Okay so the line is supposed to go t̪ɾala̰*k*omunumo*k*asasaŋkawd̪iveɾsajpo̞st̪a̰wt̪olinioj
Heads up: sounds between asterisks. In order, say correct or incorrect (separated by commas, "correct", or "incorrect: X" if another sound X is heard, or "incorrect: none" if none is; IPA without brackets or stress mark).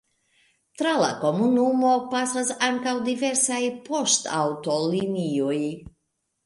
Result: correct, incorrect: p